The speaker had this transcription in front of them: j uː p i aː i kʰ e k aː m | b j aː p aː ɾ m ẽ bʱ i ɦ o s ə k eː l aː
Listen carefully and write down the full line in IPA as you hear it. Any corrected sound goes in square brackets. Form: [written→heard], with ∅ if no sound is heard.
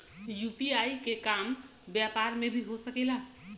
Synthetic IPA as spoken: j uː p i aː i [kʰ→k] e k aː m | b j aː p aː ɾ m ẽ bʱ i ɦ o s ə k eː l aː